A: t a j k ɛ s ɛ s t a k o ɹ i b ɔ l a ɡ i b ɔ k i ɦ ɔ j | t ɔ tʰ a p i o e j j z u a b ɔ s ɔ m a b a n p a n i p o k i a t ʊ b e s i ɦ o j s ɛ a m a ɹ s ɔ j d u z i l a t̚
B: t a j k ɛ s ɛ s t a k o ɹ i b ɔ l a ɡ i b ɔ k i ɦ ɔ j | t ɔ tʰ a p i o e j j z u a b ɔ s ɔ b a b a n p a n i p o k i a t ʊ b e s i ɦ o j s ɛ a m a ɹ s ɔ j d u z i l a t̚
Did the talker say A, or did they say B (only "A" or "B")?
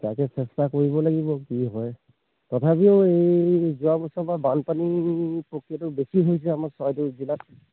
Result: B